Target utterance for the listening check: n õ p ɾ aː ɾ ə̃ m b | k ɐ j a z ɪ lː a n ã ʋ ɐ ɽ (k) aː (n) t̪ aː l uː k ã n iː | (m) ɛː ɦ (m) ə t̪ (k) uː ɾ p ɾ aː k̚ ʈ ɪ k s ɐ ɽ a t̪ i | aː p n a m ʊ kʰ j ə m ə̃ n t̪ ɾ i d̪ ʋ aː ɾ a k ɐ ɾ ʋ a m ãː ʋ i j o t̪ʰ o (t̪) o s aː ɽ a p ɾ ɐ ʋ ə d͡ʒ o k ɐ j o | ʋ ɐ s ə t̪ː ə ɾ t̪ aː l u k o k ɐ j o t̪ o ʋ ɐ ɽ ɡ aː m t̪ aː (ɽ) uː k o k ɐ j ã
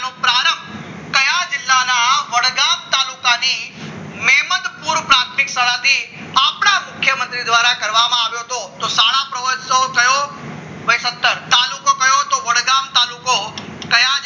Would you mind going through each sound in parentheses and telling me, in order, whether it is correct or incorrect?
incorrect: ɡ, incorrect: m, correct, correct, incorrect: p, correct, incorrect: l

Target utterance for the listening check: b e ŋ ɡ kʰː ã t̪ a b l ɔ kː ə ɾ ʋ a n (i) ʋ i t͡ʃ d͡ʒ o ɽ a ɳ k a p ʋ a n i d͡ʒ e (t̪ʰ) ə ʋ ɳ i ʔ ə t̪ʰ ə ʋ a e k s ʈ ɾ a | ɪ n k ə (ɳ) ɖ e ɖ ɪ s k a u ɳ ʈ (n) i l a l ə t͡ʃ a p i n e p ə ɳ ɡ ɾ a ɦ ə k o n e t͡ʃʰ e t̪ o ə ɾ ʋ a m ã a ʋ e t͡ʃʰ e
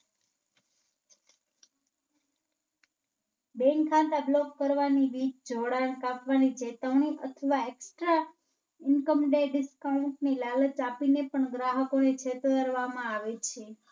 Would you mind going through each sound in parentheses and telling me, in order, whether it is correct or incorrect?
correct, incorrect: t̪, incorrect: m, correct

